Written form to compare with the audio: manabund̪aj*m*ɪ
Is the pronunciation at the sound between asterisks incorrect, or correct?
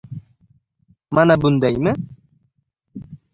correct